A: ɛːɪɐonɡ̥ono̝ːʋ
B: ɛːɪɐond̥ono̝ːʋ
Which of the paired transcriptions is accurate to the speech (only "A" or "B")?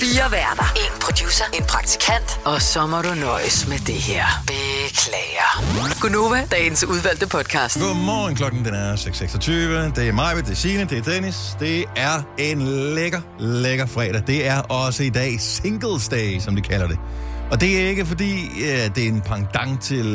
A